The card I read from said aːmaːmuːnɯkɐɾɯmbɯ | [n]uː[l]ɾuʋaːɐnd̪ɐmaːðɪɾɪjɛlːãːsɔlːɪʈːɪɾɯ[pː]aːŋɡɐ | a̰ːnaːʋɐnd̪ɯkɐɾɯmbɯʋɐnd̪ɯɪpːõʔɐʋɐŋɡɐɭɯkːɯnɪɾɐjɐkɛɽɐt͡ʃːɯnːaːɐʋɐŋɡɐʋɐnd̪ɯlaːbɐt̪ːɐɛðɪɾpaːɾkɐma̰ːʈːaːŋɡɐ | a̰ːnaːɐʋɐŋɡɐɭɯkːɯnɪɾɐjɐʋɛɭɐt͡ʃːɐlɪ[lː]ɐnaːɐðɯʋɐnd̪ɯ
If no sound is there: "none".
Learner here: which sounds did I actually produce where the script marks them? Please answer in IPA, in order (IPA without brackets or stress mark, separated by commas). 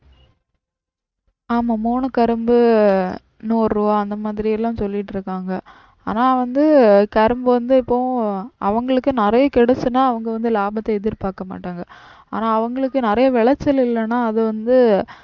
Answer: n, ɾ, kː, lː